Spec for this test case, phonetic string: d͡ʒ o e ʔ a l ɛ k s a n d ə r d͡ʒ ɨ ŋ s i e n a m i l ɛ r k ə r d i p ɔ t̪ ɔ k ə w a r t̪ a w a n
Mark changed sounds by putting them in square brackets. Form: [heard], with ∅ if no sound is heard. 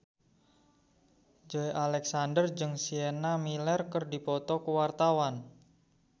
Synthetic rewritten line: d͡ʒ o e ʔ a l ɛ k s a n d ə r d͡ʒ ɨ ŋ s i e n a m i l ɛ r k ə r d i p ɔ t̪ ɔ k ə w a r t̪ a w a n